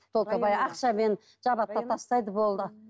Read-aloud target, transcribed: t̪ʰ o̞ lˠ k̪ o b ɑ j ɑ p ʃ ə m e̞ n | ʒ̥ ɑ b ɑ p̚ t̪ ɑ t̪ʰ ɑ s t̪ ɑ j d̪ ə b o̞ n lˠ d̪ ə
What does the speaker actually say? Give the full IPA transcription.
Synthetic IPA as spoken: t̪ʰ o̞ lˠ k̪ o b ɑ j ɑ q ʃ ɑ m e̞ n | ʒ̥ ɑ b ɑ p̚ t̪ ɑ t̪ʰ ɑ s t̪ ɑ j d̪ ə b o̞ lˠ d̪ ə